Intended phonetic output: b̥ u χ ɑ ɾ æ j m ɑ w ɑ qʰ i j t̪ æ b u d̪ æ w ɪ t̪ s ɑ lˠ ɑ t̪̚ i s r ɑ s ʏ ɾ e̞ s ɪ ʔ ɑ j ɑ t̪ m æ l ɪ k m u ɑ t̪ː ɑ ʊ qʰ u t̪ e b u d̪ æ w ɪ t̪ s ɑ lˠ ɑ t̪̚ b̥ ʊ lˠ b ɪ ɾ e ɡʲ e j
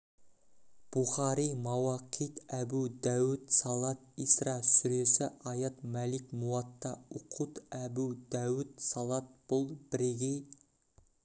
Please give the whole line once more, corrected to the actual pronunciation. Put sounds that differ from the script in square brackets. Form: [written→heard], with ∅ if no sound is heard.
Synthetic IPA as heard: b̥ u χ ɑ ɾ [æ→i] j m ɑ w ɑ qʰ i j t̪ æ b u d̪ æ w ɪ t̪ s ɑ lˠ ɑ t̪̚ i s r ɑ s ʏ ɾ e̞ s ɪ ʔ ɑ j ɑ t̪ m æ l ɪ k m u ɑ t̪ː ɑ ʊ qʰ u t̪ [e→æ] b u d̪ æ w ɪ t̪ s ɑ lˠ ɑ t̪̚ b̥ ʊ lˠ b ɪ ɾ e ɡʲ e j